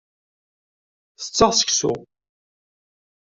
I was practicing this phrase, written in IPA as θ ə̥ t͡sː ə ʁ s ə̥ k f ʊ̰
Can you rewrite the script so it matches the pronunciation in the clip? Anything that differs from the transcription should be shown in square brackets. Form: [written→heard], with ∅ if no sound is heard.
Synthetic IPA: θ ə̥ t͡sː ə ʁ s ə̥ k [f→s] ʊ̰